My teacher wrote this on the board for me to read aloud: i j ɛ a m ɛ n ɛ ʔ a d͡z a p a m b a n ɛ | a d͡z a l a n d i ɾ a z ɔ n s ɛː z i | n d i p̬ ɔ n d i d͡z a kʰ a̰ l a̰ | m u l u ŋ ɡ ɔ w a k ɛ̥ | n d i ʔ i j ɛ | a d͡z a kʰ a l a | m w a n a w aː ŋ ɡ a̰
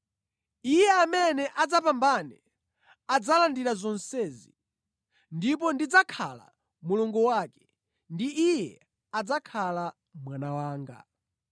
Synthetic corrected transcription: i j ɛ a m ɛ n ɛ ʔ a d͡z a p a m b a n ɛ | a d͡z a l a n d i ɾ a z ɔ n s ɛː z i | n d i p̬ ɔ n d i d͡z a kʰ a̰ l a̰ | m u l u ŋ ɡ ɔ w a k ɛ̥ | n d i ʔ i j ɛ | a d͡z a kʰ a l a | m w a n a w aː ŋ ɡ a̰